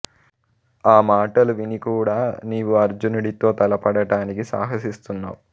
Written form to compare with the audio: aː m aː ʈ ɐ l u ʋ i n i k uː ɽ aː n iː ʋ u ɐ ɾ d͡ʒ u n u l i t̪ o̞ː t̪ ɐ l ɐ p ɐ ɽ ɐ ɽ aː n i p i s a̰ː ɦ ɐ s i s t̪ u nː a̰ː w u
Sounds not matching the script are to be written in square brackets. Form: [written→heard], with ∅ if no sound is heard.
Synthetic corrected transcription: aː m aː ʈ ɐ l u ʋ i n i k uː ɽ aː n iː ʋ u ɐ ɾ d͡ʒ u n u [l→ɽ] i t̪ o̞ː t̪ ɐ l ɐ p ɐ ɽ ɐ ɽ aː n i [p→k] i s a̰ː ɦ ɐ s i s t̪ u nː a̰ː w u